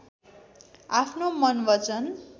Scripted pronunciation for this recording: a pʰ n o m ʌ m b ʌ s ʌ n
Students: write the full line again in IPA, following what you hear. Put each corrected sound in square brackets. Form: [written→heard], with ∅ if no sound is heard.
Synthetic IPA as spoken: a pʰ n o m ʌ [m→n] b ʌ [s→t͡s] ʌ n